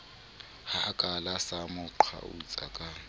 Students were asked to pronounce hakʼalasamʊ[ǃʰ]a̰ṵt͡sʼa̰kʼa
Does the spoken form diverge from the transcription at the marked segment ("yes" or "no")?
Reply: no